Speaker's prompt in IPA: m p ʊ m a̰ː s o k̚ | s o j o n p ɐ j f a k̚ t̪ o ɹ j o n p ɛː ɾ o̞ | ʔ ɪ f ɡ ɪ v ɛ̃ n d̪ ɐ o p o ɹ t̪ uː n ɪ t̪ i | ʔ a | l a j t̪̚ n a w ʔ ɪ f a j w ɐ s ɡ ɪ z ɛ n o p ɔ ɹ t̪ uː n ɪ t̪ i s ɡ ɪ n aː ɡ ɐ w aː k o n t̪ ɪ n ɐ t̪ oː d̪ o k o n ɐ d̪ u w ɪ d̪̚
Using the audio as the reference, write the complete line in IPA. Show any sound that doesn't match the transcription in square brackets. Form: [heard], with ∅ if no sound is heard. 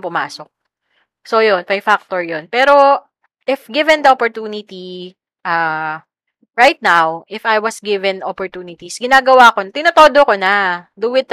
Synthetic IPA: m p ʊ m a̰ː s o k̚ | s o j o n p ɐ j f a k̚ t̪ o ɹ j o n p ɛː ɾ o̞ | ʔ ɪ f ɡ ɪ v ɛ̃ n d̪ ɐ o p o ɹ t̪ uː n ɪ t̪ i | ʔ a | [ɹ] a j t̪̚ n a w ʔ ɪ f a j w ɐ s ɡ ɪ [v] ɛ n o p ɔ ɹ t̪ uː n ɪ t̪ i s ɡ ɪ n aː ɡ ɐ w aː k o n t̪ ɪ n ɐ t̪ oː d̪ o k o n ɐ d̪ u w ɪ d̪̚